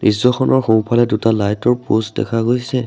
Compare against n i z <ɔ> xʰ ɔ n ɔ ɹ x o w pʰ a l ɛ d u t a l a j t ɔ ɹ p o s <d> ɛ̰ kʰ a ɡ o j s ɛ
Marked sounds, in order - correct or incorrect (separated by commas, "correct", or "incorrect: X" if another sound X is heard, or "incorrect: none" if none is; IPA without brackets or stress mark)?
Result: correct, correct